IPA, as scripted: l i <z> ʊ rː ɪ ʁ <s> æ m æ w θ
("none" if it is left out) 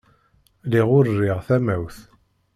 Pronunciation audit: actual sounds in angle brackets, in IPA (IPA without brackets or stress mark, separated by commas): ʁ, θ